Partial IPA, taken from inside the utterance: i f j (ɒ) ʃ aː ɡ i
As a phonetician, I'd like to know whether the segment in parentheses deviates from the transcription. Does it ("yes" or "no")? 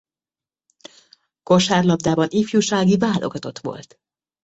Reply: yes